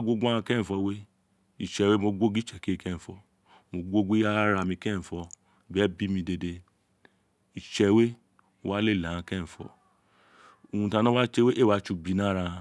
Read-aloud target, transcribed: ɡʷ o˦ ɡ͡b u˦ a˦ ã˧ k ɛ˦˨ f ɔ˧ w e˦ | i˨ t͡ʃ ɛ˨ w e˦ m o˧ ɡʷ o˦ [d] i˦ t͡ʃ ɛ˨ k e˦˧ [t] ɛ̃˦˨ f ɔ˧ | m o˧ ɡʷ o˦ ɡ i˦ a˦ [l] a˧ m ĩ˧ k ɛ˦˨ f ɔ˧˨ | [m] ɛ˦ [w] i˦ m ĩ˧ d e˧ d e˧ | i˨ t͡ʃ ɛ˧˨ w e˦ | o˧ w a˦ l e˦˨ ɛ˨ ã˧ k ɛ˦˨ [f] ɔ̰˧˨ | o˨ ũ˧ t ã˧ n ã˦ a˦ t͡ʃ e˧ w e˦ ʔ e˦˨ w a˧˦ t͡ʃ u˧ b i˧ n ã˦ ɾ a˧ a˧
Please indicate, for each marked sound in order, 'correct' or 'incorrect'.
incorrect, incorrect, incorrect, incorrect, incorrect, correct

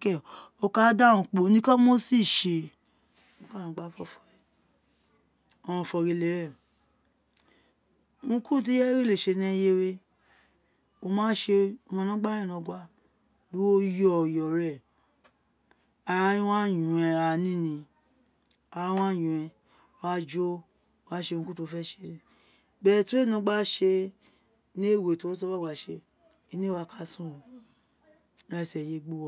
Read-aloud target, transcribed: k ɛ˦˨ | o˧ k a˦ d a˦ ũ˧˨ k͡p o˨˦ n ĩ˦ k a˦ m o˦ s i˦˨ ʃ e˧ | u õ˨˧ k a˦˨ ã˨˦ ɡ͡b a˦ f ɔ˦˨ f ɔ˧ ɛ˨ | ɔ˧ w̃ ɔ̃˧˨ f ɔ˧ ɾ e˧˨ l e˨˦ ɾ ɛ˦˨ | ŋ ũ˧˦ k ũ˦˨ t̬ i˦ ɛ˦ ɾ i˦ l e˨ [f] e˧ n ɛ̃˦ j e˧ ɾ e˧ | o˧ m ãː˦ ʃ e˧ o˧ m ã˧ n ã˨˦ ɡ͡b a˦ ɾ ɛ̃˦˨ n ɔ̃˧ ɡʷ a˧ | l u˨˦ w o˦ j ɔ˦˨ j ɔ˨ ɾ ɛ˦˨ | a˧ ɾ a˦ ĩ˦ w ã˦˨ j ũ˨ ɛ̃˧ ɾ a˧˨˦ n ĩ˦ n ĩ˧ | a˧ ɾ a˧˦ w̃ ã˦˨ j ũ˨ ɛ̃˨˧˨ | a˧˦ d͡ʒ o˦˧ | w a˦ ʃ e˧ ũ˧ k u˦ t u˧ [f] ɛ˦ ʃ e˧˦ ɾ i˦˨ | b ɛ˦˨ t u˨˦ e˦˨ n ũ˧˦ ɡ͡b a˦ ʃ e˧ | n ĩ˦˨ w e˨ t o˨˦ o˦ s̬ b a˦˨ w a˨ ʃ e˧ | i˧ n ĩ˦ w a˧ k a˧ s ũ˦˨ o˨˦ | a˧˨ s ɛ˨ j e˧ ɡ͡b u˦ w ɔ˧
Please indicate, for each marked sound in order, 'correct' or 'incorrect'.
incorrect, correct

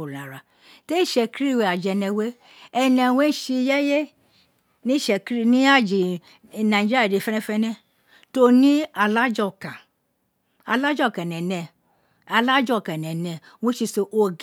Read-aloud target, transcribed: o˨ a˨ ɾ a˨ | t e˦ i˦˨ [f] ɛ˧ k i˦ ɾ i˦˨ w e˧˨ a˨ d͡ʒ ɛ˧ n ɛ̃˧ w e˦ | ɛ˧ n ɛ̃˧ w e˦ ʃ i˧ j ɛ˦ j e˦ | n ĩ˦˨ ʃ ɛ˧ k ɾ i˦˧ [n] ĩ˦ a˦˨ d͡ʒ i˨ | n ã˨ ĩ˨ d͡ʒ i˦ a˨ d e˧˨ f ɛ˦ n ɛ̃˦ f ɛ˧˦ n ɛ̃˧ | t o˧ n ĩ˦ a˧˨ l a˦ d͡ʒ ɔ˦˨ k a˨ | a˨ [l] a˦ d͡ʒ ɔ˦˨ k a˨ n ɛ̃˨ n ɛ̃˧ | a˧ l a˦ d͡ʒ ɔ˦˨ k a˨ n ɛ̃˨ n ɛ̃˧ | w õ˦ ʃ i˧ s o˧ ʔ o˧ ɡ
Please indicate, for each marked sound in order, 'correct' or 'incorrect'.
incorrect, correct, correct

